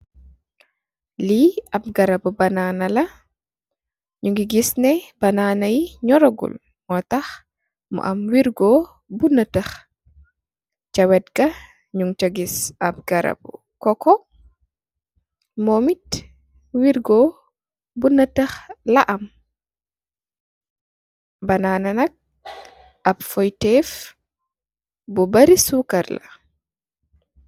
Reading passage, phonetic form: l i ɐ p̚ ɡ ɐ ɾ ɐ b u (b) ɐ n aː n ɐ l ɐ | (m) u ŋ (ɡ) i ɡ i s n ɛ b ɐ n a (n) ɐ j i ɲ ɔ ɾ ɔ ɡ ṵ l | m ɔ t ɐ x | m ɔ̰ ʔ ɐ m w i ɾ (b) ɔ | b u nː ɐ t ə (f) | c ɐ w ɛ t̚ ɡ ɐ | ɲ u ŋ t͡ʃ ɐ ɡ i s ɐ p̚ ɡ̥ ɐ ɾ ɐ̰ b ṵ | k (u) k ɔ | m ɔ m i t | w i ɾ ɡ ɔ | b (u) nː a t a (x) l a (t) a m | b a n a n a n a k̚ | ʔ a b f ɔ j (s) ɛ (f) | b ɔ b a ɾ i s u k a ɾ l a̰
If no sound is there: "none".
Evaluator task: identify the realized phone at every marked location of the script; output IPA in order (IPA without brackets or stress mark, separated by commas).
b, ɲ, ɡ, n, ɡ, x, ɔ, u, x, ʔ, t, f